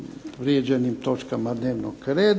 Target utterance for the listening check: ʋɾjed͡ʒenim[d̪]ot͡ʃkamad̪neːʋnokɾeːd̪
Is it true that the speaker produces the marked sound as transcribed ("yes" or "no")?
no